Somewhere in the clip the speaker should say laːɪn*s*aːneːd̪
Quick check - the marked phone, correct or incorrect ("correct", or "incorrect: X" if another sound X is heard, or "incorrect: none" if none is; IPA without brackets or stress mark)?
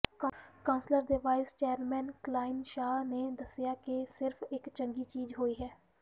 incorrect: ʃ